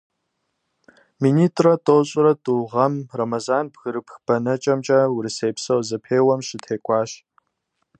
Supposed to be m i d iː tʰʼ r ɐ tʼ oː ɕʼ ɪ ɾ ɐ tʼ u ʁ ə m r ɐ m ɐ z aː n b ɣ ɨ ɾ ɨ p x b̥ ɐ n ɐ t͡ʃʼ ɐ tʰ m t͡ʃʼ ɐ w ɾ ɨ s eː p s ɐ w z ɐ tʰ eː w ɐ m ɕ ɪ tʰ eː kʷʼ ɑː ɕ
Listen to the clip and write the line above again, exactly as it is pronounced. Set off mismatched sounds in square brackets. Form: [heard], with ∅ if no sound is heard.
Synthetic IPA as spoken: m i [n] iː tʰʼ r ɐ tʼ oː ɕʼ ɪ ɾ ɐ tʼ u ʁ [ɐ] m r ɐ m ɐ z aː n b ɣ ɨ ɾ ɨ p x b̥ ɐ n ɐ t͡ʃʼ ɐ [∅] m t͡ʃʼ ɐ w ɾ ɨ s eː p s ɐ w z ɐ [pʰ] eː w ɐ m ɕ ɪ tʰ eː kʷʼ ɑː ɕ